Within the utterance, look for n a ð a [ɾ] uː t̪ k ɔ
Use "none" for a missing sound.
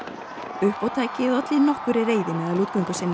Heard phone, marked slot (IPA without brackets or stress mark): l